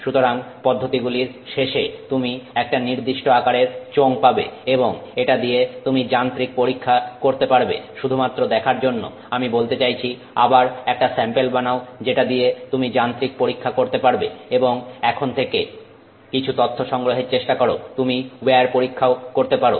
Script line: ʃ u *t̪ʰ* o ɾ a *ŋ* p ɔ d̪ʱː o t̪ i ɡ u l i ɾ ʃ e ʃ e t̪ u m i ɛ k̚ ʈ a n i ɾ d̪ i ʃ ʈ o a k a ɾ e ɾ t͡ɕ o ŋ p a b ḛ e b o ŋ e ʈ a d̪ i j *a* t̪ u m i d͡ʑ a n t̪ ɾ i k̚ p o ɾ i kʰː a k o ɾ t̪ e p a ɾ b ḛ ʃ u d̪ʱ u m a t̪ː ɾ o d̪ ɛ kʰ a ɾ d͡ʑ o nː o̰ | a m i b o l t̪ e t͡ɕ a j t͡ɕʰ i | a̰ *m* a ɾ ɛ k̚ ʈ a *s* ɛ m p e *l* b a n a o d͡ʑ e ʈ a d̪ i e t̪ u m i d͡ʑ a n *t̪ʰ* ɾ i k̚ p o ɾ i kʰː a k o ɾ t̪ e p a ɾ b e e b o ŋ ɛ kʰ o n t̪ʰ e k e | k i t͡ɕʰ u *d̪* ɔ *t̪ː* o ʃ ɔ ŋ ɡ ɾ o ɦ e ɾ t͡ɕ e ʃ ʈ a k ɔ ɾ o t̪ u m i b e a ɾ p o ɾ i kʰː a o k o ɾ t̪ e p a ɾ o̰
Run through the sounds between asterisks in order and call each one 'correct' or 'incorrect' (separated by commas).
incorrect, correct, incorrect, incorrect, correct, correct, incorrect, incorrect, incorrect